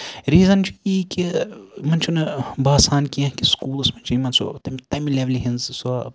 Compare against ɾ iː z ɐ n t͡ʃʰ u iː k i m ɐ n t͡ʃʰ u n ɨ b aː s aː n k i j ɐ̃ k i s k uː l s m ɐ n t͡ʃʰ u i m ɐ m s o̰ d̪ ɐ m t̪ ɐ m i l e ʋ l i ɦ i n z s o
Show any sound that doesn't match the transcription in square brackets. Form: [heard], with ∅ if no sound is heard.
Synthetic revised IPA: ɾ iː z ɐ n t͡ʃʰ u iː k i m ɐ n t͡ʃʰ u n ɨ b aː s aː n k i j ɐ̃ k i s k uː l s m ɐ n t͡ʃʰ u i m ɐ [n] s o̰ [t̪] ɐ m t̪ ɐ m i l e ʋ l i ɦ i n z s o